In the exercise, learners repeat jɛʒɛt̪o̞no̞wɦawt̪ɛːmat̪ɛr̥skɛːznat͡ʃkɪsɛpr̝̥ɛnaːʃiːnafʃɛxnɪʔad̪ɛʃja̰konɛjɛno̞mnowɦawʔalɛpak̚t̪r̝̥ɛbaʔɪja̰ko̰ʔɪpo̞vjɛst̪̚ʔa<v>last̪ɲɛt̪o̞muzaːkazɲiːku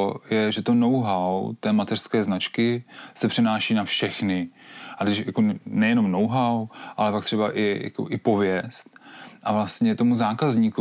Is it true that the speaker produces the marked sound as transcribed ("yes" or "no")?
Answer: yes